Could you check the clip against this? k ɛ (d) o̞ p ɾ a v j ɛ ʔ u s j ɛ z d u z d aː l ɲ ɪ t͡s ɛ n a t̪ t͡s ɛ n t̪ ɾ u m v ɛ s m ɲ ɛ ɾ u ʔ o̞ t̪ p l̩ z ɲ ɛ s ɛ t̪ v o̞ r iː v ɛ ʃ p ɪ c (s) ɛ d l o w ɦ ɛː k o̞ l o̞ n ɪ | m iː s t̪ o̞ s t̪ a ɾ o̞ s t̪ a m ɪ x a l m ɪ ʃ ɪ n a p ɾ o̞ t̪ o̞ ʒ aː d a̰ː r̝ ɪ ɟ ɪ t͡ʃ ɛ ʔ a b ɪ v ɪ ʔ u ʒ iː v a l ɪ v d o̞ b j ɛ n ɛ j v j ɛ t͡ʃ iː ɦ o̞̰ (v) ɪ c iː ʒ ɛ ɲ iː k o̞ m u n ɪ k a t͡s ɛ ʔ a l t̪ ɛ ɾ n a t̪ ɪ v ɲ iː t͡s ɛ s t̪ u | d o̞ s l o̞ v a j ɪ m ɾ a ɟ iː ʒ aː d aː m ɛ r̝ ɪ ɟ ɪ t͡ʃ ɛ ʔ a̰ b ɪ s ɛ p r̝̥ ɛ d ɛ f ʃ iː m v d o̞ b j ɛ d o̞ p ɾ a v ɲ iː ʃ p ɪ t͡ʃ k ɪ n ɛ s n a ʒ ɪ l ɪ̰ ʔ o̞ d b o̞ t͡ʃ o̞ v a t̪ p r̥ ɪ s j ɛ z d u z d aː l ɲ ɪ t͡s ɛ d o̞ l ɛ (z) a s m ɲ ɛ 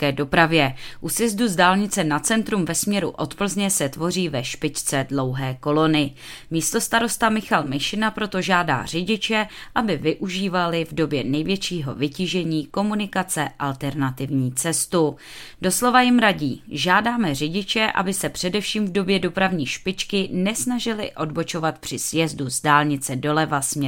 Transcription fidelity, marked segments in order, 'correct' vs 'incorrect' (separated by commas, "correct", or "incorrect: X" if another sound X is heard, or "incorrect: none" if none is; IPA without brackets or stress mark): correct, incorrect: t͡s, correct, incorrect: v